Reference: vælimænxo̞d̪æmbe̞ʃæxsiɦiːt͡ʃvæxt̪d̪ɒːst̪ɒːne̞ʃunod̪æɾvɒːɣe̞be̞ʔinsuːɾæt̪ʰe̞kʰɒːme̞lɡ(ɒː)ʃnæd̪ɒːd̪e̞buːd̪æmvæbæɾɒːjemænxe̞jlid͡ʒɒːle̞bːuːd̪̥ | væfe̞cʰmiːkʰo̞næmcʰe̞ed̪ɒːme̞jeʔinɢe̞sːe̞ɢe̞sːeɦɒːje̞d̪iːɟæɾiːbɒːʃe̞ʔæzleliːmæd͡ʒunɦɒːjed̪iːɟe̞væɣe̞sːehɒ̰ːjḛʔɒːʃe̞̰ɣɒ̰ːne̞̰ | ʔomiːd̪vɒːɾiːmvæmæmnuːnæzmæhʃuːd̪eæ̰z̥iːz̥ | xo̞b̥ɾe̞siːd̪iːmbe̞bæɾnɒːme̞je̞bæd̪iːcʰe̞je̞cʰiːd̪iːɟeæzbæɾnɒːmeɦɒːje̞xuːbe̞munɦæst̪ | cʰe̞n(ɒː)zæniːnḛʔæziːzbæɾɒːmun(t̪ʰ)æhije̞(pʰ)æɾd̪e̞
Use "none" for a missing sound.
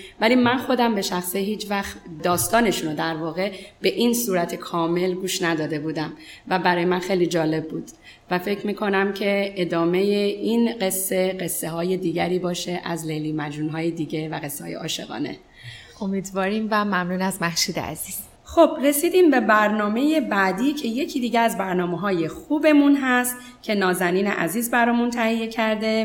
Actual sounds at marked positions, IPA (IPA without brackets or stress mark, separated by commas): uː, ɒː, t̪ʰ, cʰ